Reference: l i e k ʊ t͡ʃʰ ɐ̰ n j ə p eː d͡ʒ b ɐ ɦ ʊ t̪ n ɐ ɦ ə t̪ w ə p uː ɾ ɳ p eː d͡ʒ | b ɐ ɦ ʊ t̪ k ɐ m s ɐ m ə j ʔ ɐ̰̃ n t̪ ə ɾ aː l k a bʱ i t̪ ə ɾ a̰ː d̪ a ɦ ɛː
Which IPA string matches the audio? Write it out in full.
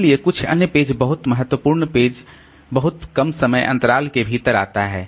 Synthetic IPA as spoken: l i e k ʊ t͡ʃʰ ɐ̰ n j ə p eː d͡ʒ b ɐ ɦ ʊ t̪ m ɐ ɦ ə t̪ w ə p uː ɾ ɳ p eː d͡ʒ | b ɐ ɦ ʊ t̪ k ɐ m s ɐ m ə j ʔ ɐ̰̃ n t̪ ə ɾ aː l k e bʱ i t̪ ə ɾ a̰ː t̪ a ɦ ɛː